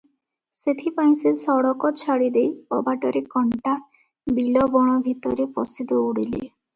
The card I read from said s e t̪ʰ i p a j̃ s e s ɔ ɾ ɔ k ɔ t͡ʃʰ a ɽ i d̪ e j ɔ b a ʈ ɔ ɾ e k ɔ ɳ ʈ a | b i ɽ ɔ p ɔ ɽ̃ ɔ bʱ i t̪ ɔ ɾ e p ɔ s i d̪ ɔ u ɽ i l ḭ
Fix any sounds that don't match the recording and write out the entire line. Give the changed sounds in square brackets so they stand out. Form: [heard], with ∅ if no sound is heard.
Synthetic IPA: s e t̪ʰ i p a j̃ s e s ɔ [ɽ] ɔ k ɔ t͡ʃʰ a ɽ i d̪ e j ɔ b a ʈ ɔ ɾ e k ɔ ɳ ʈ a | b i [l] ɔ [b] ɔ ɽ̃ ɔ bʱ i t̪ ɔ ɾ e p ɔ s i d̪ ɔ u ɽ i l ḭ